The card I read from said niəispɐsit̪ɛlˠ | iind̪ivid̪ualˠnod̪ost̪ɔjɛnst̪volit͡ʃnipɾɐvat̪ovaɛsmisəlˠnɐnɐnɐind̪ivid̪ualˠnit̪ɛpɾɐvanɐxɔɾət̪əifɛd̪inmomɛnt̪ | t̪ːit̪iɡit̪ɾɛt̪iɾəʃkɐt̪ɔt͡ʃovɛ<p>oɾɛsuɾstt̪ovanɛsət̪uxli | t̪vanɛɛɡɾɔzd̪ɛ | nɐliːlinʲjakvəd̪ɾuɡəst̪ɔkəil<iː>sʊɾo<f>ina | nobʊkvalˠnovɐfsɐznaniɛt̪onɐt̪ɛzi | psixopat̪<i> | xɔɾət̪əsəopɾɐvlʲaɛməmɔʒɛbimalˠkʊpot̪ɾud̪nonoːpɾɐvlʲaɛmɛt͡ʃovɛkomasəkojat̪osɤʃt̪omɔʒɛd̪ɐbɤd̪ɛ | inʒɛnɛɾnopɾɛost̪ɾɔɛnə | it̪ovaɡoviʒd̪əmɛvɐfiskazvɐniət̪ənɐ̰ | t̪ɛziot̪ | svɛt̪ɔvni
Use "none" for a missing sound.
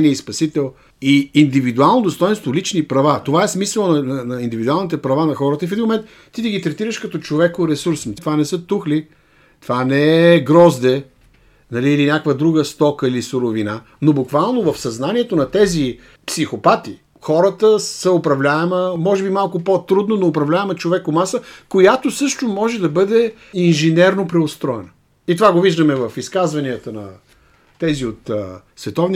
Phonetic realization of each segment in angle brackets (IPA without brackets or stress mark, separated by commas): k, i, v, i